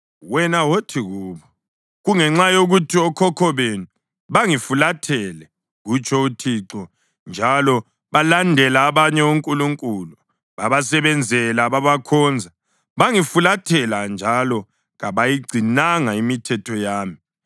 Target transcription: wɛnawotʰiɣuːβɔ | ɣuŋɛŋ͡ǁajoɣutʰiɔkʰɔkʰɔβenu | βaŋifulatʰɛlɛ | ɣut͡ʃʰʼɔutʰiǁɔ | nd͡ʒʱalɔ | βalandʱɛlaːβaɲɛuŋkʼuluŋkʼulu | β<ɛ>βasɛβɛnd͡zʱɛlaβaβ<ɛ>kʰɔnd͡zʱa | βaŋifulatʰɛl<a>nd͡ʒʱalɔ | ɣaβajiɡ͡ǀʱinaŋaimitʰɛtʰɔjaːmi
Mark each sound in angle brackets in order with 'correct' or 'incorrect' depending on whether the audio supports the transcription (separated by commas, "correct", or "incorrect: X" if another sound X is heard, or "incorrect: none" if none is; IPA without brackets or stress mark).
incorrect: a, incorrect: a, correct